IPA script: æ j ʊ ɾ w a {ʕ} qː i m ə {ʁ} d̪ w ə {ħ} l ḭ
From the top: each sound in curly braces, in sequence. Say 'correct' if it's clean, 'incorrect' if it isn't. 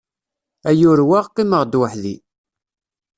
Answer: incorrect: ʁ, correct, correct

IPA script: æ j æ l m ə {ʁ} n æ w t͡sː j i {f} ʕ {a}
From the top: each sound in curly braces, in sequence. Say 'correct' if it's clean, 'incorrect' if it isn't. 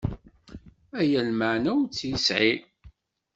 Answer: incorrect: ʕ, incorrect: s, incorrect: i

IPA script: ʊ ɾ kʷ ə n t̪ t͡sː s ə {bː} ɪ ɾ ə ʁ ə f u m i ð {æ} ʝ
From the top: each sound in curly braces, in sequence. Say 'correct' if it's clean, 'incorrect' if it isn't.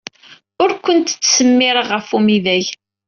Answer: incorrect: mː, correct

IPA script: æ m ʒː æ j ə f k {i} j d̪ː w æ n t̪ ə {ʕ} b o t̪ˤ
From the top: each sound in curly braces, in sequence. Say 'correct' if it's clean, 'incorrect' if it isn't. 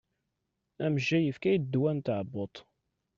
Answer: incorrect: æ, correct

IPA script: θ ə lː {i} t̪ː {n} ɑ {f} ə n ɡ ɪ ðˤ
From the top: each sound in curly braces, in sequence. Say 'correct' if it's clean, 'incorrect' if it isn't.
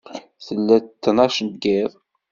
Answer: incorrect: æ, correct, incorrect: ʃ

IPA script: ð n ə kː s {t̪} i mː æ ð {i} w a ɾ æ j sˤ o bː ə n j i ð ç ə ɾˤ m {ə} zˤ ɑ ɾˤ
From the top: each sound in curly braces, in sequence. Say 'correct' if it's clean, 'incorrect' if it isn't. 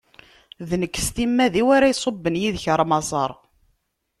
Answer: correct, correct, incorrect: ɑ

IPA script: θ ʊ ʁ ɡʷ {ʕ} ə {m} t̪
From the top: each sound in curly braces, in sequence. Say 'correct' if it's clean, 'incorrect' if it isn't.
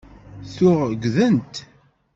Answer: incorrect: ð, incorrect: n

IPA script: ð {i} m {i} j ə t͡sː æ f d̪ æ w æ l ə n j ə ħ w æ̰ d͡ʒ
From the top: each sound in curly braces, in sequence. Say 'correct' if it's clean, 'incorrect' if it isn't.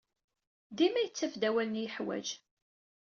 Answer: correct, incorrect: æ

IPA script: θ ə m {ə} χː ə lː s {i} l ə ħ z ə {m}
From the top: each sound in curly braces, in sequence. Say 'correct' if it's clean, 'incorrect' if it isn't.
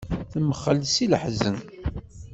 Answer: correct, correct, incorrect: n

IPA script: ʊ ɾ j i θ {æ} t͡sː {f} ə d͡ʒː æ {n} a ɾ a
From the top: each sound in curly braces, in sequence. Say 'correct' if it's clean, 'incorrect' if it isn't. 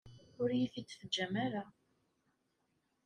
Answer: incorrect: i, correct, incorrect: m

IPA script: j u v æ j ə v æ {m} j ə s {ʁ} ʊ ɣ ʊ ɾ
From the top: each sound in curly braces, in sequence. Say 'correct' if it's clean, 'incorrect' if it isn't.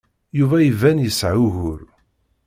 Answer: incorrect: n, incorrect: ʕ

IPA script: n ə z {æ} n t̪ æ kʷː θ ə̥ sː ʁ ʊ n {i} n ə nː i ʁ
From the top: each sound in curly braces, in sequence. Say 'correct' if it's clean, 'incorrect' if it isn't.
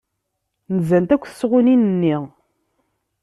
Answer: correct, correct

